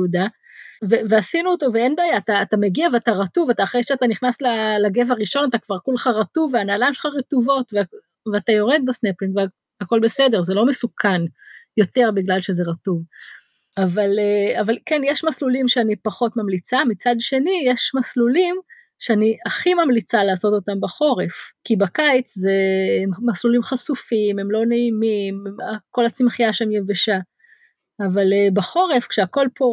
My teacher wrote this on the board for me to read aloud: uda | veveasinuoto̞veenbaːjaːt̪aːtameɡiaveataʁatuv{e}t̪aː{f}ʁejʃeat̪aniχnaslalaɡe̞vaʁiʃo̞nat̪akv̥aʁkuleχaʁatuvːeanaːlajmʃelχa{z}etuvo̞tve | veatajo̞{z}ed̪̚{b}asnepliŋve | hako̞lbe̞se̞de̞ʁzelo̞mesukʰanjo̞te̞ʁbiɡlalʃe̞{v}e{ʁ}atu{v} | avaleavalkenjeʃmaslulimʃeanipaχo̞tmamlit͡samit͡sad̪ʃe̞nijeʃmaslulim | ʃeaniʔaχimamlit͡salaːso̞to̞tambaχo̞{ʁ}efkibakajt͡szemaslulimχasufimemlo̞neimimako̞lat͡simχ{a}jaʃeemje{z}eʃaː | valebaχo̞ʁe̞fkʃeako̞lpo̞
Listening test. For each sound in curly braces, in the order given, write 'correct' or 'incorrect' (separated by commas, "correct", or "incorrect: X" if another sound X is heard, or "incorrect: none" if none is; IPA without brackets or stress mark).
incorrect: a, incorrect: χ, incorrect: ʁ, incorrect: ʁ, correct, incorrect: z, correct, correct, correct, incorrect: i, incorrect: v